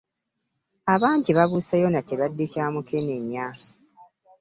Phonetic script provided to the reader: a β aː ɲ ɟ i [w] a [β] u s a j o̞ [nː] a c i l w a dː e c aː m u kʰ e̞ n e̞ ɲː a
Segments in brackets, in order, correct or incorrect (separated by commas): incorrect, correct, incorrect